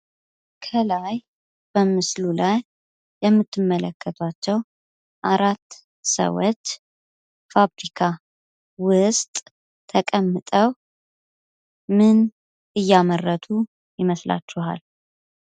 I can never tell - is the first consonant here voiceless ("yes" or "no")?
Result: yes